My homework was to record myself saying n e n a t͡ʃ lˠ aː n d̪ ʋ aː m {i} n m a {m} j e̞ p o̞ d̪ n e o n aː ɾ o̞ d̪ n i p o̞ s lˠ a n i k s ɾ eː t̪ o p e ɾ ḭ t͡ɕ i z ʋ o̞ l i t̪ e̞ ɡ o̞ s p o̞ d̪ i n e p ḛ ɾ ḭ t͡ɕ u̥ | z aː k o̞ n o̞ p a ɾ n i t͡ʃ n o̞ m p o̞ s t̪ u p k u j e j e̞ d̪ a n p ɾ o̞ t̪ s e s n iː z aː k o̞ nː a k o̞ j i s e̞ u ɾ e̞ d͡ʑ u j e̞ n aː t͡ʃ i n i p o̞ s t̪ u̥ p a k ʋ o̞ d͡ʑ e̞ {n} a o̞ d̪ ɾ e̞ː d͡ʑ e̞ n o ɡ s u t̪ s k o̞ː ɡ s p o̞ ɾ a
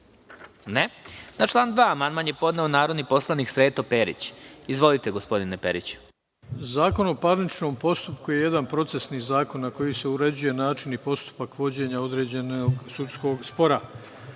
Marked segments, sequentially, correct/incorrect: incorrect, incorrect, incorrect

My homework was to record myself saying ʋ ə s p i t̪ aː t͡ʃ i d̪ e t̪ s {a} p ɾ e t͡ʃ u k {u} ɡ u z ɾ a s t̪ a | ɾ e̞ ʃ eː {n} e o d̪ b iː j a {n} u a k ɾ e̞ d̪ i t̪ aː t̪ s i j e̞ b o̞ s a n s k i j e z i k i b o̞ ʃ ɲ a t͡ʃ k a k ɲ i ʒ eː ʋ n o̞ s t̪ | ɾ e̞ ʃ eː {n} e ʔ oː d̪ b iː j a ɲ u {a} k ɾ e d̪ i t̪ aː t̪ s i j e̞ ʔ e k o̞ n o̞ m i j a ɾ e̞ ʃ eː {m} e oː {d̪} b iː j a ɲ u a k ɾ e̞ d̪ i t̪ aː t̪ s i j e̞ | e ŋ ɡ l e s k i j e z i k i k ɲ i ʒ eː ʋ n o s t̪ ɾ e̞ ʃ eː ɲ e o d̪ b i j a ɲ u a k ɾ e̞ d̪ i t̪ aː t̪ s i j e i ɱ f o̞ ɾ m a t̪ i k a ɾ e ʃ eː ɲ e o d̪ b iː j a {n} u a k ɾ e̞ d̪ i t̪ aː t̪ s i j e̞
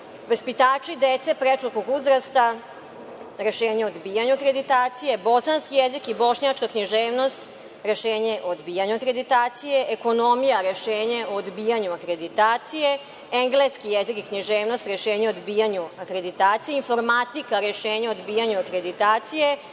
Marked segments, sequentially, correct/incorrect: incorrect, incorrect, incorrect, incorrect, incorrect, correct, incorrect, correct, incorrect

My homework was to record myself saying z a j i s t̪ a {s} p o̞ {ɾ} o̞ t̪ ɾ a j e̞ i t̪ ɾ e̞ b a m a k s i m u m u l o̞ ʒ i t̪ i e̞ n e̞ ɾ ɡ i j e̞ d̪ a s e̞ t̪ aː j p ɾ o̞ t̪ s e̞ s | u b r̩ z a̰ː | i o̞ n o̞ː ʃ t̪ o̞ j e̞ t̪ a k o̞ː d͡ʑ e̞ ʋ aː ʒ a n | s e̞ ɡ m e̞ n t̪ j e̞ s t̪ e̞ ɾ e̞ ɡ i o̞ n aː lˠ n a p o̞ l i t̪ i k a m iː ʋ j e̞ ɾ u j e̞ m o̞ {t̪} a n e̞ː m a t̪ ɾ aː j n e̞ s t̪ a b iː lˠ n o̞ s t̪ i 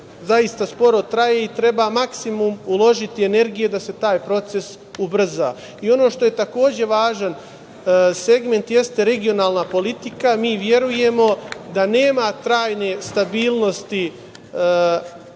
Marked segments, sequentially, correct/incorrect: correct, correct, incorrect

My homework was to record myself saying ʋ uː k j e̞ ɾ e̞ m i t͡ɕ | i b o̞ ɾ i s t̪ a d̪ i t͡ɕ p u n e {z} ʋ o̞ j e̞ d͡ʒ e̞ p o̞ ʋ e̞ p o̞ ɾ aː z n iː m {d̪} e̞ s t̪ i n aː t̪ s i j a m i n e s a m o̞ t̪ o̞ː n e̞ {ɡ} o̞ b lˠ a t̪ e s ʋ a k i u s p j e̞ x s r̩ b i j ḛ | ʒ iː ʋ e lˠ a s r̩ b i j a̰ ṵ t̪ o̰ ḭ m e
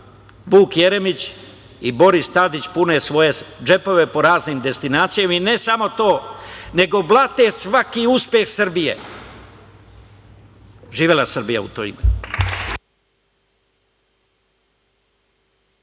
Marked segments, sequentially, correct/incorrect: incorrect, correct, correct

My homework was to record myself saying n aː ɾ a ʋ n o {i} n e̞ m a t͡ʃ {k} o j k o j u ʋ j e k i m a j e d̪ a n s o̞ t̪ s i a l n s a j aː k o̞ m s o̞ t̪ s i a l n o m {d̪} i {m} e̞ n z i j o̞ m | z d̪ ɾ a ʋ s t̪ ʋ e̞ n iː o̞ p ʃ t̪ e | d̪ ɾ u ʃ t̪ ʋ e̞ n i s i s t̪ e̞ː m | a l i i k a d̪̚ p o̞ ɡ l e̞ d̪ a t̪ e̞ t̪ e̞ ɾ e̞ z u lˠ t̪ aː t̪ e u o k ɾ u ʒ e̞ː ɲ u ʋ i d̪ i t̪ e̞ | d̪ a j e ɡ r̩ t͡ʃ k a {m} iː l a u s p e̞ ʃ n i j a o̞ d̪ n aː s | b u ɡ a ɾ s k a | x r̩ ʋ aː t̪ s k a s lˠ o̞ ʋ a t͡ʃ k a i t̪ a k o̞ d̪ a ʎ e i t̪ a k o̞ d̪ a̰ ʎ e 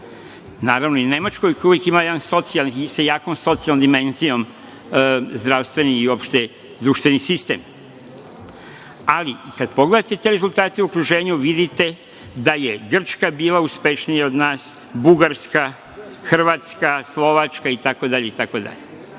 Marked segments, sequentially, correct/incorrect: correct, correct, correct, correct, incorrect

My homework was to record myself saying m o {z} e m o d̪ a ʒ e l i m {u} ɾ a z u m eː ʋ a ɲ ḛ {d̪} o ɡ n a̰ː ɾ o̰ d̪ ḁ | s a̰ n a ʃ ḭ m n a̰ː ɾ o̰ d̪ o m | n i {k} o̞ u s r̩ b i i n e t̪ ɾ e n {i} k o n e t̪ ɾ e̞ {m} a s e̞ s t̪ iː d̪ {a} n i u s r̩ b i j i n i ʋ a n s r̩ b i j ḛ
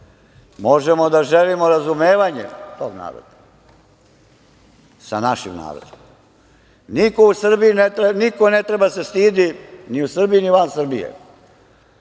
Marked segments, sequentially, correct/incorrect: incorrect, incorrect, incorrect, correct, correct, incorrect, incorrect

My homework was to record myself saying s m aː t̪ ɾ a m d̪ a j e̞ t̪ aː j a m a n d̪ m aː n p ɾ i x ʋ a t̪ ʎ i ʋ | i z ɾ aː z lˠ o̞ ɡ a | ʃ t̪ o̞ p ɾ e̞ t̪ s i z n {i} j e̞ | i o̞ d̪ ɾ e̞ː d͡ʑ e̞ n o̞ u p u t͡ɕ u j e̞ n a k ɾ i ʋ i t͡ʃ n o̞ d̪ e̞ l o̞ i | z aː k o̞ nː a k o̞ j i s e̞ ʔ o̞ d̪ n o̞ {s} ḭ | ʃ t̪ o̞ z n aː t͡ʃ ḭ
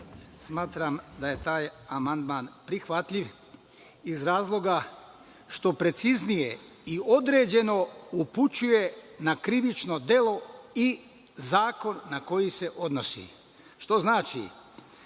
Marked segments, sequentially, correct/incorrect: correct, correct

